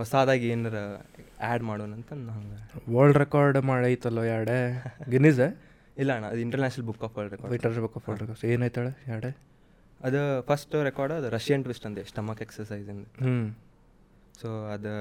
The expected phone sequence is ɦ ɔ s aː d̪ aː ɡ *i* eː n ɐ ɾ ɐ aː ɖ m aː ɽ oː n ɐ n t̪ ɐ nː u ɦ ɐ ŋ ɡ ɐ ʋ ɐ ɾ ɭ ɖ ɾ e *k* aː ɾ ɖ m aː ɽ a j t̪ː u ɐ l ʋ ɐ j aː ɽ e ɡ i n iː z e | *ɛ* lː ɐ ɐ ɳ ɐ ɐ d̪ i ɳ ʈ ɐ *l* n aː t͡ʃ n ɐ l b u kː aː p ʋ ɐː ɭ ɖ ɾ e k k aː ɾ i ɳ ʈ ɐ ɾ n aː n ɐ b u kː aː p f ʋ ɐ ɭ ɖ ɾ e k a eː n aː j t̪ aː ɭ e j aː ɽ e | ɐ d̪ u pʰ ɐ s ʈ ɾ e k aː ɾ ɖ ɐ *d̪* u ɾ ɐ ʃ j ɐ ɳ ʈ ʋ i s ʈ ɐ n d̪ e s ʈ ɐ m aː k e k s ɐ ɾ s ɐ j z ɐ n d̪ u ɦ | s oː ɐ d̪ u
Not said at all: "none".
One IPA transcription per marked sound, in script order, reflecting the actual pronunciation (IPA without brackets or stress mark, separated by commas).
i, k, i, ɾ, d̪